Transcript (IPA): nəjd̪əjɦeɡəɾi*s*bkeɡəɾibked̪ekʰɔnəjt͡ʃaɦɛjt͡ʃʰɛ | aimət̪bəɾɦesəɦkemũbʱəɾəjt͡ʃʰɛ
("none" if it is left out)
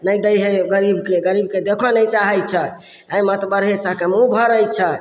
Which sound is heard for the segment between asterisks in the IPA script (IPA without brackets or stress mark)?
none